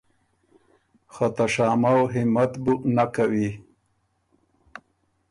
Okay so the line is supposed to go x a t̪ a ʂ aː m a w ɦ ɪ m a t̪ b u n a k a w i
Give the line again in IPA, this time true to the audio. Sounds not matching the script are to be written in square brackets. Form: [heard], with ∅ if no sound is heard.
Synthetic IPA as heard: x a t̪ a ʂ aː m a w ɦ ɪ m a t̪ b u n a k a w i